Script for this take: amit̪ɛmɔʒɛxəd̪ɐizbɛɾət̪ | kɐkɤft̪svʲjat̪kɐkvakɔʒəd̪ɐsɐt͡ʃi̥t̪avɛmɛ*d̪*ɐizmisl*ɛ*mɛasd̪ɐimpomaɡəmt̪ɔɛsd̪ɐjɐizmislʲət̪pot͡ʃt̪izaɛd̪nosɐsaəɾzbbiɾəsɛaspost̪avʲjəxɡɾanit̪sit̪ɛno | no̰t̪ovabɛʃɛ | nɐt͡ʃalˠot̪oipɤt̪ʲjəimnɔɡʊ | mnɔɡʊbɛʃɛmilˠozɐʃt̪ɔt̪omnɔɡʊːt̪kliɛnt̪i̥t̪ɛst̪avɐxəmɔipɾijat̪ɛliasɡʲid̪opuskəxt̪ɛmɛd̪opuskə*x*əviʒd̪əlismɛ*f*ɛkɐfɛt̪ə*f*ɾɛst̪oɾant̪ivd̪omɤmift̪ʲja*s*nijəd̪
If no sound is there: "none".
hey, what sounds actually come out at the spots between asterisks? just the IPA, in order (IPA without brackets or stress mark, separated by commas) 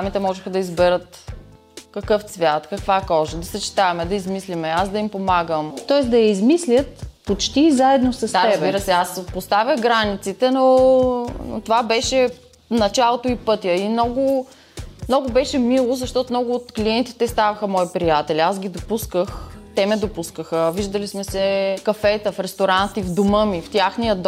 d̪, i, x, s, f, x